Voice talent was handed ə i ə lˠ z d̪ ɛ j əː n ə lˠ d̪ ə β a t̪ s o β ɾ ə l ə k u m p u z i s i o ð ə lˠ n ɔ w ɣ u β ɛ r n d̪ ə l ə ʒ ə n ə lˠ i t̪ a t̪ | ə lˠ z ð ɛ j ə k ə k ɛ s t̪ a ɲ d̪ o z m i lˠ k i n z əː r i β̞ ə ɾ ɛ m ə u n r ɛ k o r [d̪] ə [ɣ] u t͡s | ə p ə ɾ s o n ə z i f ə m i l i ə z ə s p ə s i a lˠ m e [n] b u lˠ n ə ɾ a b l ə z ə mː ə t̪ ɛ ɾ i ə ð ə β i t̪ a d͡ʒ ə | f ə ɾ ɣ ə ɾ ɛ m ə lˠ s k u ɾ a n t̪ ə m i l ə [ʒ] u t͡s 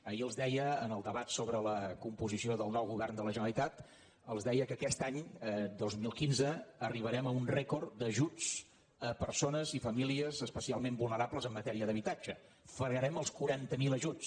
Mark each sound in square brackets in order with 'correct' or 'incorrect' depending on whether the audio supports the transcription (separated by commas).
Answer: correct, incorrect, incorrect, correct